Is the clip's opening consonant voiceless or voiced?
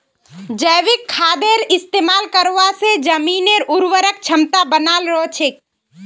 voiced